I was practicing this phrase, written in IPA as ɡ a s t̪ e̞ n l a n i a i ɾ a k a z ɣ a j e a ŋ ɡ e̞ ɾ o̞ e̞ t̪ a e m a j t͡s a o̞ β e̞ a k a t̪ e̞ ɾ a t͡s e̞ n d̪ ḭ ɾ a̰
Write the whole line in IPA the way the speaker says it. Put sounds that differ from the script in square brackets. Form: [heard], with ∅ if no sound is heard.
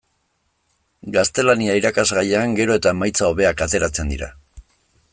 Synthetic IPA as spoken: ɡ a s t̪ e̞ [∅] l a n i a i ɾ a k a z ɣ a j e a ŋ ɡ e̞ ɾ o̞ e̞ t̪ a e m a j t͡s a o̞ β e̞ a k a t̪ e̞ ɾ a t͡s e̞ n d̪ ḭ ɾ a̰